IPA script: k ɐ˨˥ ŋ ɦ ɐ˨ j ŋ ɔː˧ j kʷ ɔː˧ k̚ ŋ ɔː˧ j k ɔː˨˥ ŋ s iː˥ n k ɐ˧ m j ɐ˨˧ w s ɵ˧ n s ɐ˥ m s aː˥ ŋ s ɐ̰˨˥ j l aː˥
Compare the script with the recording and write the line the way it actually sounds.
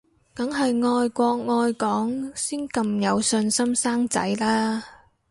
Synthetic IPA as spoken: k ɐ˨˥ ŋ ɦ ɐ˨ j ŋ ɔː˧ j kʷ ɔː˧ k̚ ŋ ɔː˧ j k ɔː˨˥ ŋ s iː˥ n k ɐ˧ m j ɐ˨˧ w s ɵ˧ n s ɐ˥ m s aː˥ ŋ t͡s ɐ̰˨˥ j l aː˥